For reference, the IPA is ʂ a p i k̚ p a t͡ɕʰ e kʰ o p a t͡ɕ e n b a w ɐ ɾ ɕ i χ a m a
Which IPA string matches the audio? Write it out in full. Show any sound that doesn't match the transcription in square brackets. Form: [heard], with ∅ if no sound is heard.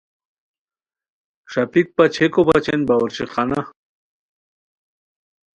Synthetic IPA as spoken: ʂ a p i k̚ p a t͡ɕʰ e [k] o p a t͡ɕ e n b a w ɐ ɾ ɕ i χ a [n] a